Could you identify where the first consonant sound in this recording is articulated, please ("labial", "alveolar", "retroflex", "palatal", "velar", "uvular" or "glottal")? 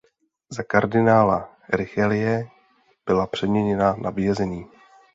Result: alveolar